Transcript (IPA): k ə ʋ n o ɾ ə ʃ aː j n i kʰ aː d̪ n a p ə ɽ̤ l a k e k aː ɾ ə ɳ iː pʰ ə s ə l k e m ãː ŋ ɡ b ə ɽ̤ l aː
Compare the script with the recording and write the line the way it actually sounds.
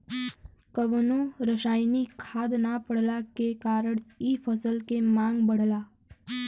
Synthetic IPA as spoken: k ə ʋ n o ɾ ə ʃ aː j n i kʰ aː d̪ n a p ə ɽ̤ l a k e k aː ɾ ə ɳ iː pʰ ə s ə l k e m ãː ŋ ɡ b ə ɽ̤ l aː